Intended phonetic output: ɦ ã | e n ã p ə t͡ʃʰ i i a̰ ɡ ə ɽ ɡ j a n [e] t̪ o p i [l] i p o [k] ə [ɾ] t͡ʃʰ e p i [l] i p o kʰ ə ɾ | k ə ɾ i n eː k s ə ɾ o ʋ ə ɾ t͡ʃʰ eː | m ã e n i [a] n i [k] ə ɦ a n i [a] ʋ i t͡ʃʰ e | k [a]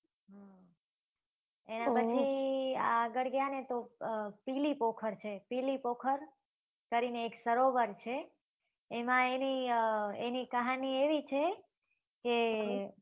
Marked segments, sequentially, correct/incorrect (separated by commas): correct, correct, incorrect, correct, correct, incorrect, correct, incorrect, incorrect